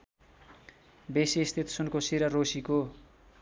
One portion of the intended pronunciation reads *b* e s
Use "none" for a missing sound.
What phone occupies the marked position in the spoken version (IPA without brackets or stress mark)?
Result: b